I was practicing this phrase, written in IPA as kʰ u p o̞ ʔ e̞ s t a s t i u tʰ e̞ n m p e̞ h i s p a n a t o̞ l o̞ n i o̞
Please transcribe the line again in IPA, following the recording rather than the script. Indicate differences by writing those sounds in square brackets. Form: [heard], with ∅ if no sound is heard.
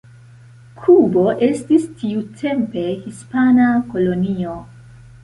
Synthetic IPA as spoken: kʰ u [b] o̞ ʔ e̞ s t [i] s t i u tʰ e̞ [∅] m p e̞ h i s p a n a [k] o̞ l o̞ n i o̞